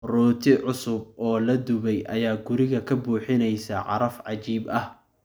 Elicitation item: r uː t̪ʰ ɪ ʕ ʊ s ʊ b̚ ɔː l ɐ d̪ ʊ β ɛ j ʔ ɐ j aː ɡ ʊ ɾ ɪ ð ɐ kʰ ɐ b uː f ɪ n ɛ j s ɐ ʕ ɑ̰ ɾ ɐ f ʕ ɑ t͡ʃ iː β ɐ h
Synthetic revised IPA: r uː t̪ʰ ɪ ʕ ʊ s ʊ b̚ ɔː l ɐ d̪ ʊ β ɛ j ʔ ɐ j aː ɡ ʊ ɾ ɪ ɣ ɐ kʰ ɐ b uː ħ ɪ n ɛ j s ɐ ʕ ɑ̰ ɾ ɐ f ʕ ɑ t͡ʃ iː b ɐ h